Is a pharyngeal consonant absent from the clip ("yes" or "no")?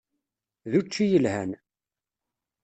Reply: yes